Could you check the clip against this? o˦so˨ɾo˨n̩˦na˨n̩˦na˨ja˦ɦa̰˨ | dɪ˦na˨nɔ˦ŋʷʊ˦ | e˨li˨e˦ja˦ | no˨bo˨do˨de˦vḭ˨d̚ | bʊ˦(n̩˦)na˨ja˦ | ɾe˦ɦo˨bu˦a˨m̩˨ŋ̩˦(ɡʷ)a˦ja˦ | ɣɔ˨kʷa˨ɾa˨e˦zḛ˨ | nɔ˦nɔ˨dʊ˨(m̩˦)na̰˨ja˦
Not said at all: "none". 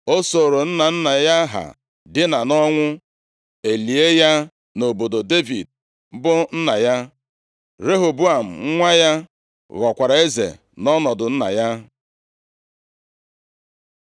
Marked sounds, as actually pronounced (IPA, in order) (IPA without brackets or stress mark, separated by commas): n̩˦, ŋʷ, n̩˦